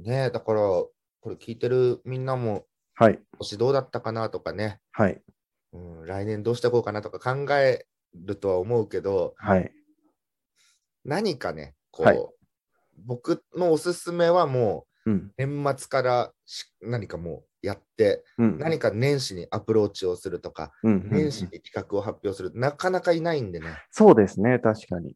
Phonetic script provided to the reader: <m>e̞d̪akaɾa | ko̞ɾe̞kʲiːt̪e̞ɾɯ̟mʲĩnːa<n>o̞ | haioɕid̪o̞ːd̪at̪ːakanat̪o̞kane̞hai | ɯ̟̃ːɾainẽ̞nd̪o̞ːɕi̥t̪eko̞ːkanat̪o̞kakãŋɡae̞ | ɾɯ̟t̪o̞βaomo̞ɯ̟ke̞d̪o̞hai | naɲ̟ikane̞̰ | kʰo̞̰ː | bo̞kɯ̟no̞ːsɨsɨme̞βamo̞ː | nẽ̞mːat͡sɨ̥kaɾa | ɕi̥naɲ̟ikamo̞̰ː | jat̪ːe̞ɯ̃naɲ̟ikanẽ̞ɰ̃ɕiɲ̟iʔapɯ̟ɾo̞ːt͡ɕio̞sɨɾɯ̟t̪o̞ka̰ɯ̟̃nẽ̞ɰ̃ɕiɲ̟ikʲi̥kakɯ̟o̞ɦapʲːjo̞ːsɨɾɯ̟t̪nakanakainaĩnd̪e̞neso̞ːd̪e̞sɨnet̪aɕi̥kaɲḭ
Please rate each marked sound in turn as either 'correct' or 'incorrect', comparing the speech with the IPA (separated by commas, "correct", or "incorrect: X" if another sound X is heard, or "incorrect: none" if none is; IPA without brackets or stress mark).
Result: incorrect: n, incorrect: m